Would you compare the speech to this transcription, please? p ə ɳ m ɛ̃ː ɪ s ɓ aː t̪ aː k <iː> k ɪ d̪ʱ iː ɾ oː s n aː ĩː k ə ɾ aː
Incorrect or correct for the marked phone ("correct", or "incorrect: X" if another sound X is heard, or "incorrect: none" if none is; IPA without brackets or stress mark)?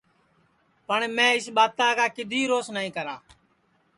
incorrect: aː